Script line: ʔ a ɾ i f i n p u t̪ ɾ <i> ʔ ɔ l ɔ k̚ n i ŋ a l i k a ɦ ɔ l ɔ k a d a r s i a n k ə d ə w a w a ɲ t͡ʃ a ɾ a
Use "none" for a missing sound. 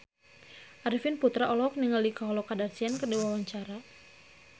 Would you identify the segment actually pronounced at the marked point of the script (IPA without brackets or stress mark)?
a